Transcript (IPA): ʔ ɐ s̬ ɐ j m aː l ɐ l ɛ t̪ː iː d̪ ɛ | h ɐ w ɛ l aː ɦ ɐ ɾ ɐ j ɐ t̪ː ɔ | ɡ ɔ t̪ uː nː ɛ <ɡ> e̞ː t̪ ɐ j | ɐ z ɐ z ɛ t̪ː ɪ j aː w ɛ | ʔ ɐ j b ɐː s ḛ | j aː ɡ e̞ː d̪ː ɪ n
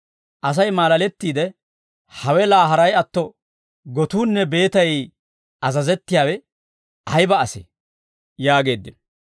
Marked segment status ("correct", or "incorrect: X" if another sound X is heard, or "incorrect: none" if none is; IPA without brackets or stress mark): incorrect: b